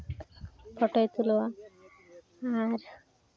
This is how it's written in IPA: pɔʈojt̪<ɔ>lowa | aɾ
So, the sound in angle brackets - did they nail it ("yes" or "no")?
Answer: no